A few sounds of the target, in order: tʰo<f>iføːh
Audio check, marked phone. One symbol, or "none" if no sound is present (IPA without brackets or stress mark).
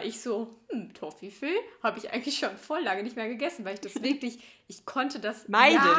f